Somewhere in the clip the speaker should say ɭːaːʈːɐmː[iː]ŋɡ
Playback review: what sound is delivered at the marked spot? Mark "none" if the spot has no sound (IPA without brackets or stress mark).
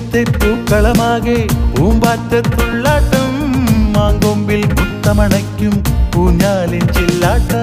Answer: aː